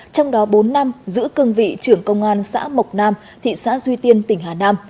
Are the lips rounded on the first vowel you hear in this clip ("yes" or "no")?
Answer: yes